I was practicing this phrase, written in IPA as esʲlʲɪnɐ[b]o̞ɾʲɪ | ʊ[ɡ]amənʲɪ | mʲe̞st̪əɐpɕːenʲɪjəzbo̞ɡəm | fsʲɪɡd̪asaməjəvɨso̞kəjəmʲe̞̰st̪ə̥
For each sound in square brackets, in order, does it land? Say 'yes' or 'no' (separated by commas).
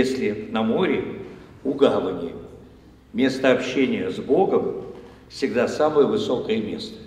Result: no, yes